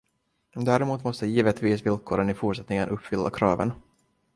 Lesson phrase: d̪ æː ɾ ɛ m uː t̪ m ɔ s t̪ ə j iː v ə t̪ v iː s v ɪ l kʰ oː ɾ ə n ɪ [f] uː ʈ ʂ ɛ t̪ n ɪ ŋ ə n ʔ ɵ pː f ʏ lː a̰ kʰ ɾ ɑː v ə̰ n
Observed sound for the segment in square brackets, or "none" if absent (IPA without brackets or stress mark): f